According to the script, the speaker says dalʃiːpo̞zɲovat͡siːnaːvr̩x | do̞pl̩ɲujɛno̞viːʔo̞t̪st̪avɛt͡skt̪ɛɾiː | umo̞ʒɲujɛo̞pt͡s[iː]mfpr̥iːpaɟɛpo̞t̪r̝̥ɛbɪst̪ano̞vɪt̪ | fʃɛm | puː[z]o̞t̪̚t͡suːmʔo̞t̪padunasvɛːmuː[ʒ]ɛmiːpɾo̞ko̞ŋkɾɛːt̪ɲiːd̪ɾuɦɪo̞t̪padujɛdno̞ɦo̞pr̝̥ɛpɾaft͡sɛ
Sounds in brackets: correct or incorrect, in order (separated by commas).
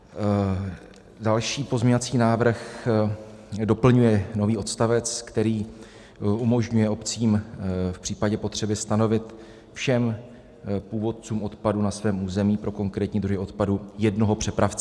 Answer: correct, incorrect, incorrect